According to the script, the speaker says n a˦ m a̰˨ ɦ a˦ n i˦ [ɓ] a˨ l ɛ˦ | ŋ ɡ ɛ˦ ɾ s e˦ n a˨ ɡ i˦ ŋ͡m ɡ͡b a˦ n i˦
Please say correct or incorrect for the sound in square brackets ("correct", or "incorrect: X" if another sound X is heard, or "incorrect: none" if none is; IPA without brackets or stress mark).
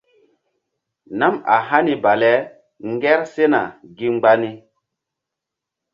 incorrect: b